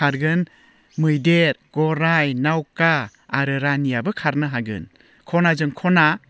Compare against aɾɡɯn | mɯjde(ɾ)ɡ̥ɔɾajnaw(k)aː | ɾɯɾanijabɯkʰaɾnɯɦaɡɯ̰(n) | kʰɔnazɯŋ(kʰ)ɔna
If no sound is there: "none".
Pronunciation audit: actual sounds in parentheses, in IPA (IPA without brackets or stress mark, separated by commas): ɾ, k, n, kʰ